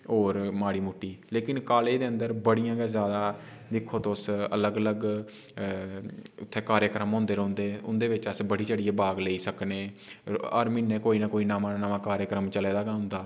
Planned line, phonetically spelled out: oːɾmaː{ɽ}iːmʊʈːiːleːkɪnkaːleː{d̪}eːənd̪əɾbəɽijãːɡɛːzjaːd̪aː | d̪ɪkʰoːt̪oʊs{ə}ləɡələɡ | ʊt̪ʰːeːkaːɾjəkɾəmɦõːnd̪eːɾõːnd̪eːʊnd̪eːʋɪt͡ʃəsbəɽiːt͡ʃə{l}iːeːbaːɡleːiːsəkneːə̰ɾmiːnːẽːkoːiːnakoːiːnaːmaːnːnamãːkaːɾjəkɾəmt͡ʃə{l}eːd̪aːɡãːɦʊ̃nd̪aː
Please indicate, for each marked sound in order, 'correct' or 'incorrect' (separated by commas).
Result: correct, correct, correct, incorrect, correct